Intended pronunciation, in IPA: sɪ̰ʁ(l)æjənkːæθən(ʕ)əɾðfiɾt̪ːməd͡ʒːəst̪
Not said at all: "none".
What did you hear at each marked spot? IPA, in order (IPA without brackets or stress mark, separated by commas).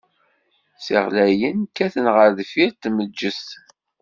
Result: l, ʁ